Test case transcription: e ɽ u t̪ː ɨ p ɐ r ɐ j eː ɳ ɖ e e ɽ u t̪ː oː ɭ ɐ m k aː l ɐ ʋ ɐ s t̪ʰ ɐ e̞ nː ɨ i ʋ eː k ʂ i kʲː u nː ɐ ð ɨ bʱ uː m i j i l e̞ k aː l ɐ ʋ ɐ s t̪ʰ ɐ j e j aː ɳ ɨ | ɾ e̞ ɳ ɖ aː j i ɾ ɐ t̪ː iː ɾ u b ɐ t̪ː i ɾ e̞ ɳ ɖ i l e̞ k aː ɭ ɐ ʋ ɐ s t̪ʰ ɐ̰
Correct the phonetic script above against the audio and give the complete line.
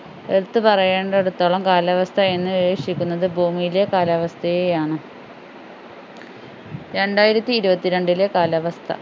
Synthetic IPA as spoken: e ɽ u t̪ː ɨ p ɐ r ɐ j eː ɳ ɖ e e ɽ u t̪ː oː ɭ ɐ m k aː l ɐ ʋ ɐ s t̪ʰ ɐ e̞ nː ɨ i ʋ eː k ʂ i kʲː u nː ɐ ð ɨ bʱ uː m i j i l e̞ k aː l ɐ ʋ ɐ s t̪ʰ ɐ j e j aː ɳ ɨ | ɾ e̞ ɳ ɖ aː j i ɾ ɐ t̪ː iː ɾ u b ɐ t̪ː i ɾ e̞ ɳ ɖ i l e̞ k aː l ɐ ʋ ɐ s t̪ʰ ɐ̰